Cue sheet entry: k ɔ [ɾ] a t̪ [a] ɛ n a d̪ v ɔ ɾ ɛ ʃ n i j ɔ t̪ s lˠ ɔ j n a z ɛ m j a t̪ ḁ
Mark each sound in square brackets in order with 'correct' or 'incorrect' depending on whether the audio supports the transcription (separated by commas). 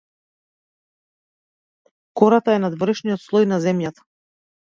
correct, correct